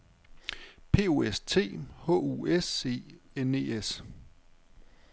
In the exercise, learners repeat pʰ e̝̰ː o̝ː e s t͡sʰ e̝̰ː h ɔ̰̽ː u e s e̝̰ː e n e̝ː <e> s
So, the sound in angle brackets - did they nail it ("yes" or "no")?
yes